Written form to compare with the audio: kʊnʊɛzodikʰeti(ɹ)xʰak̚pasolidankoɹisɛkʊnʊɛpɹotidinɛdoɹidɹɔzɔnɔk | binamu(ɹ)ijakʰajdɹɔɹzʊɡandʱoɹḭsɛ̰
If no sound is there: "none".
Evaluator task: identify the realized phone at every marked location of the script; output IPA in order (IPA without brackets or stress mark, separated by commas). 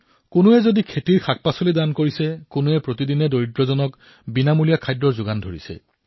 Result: ɹ, l